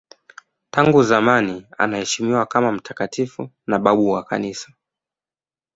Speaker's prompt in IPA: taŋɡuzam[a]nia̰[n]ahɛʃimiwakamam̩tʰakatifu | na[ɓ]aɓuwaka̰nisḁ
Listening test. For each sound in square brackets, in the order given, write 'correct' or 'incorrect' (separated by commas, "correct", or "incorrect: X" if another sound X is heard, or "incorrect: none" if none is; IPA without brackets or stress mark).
correct, correct, correct